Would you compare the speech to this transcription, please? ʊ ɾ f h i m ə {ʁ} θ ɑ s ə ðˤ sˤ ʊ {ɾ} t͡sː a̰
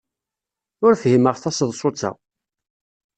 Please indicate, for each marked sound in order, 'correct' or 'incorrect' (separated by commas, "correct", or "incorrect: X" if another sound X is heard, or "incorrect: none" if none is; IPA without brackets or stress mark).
correct, incorrect: none